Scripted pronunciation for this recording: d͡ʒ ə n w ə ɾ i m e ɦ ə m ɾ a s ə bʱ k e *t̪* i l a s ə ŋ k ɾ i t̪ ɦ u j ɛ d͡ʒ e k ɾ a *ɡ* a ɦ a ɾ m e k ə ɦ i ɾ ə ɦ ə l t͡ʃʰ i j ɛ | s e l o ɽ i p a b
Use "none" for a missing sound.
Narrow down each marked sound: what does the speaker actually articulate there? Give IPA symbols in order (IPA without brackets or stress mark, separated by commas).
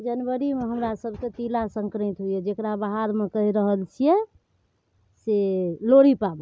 t̪, b